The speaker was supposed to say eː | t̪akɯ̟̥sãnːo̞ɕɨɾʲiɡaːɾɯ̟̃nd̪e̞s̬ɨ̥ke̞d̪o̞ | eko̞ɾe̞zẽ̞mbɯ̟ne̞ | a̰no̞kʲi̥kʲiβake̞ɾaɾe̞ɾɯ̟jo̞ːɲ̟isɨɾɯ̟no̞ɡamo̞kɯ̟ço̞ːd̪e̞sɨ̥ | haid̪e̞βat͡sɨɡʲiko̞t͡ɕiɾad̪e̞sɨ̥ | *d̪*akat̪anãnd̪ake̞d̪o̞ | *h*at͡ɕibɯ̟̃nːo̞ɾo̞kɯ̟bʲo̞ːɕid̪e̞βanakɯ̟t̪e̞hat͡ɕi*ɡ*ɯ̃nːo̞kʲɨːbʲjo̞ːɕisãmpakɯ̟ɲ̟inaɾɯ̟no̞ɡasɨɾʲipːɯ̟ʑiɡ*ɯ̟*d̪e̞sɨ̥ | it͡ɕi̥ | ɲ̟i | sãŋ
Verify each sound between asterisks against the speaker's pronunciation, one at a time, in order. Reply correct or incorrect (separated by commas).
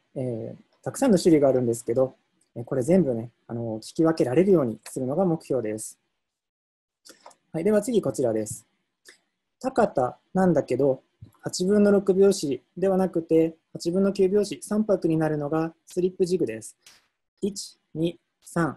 incorrect, correct, incorrect, correct